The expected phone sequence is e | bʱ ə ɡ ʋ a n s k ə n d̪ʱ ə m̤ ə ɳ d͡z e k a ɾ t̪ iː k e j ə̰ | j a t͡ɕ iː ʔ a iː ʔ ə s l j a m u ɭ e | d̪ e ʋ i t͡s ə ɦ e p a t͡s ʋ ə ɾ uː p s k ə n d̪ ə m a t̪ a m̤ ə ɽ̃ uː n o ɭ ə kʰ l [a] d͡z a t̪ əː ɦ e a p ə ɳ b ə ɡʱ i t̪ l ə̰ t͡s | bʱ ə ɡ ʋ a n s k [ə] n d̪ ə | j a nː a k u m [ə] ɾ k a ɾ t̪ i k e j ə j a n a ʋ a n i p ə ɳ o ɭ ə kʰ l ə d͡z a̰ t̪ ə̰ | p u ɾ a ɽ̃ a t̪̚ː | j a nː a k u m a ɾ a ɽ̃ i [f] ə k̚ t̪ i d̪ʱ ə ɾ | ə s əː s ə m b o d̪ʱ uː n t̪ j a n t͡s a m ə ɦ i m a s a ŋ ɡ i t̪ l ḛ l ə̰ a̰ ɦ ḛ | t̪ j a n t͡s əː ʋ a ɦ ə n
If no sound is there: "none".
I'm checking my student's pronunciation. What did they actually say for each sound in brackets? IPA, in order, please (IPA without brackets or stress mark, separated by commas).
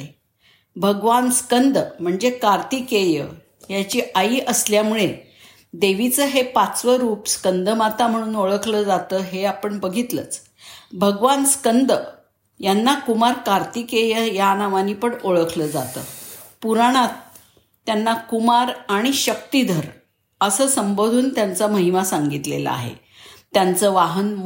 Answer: ə, ə, a, ɕ